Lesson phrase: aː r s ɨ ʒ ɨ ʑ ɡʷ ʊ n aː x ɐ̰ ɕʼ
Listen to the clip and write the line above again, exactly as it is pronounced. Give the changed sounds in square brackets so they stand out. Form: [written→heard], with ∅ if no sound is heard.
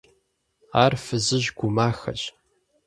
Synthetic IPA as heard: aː r [s→f] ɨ [ʒ→z] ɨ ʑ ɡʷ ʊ [n→m] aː x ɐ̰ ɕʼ